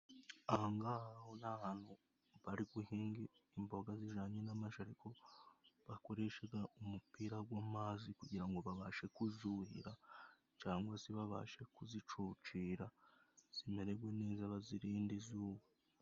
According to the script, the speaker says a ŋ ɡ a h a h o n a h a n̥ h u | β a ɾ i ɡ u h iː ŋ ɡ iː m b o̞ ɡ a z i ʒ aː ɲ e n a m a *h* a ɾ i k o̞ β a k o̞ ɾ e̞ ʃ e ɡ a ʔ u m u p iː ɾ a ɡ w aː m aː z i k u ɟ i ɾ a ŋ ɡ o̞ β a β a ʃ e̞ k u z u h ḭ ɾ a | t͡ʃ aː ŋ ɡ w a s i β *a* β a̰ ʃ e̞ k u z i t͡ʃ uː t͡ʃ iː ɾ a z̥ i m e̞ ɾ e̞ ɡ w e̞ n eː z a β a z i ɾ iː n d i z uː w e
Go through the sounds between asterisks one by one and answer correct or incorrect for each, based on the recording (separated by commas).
incorrect, correct